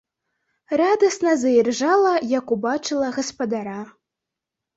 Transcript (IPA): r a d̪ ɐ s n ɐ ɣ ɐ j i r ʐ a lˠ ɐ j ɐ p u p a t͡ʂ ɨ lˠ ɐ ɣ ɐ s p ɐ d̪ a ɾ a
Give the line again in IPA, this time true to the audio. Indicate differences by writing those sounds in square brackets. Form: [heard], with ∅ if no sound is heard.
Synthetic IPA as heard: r a d̪ ɐ s n ɐ [z] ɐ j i r ʐ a lˠ ɐ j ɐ [k] u [b] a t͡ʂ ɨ lˠ ɐ ɣ ɐ s p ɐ d̪ a ɾ a